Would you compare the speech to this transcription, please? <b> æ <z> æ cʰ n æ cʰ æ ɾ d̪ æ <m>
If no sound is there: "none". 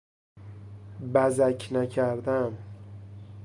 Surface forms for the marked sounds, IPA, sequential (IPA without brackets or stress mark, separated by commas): b, z, m